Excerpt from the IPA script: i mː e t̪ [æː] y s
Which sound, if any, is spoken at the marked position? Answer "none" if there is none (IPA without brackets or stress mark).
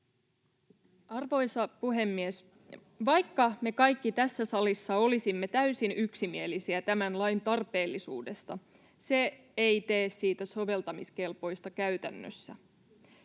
æ